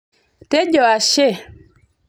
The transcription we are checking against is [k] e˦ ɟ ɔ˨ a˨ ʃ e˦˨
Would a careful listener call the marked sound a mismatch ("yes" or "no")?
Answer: yes